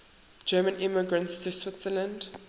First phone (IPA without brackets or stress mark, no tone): d͡ʒ